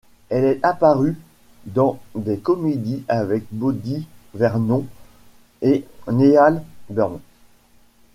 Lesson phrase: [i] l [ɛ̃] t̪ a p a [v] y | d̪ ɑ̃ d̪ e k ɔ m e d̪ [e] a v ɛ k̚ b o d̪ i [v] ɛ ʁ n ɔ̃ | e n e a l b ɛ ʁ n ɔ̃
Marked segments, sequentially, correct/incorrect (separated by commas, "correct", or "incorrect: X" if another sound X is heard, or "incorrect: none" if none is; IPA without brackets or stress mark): incorrect: ɛ, incorrect: ɛ, incorrect: ʁ, incorrect: i, correct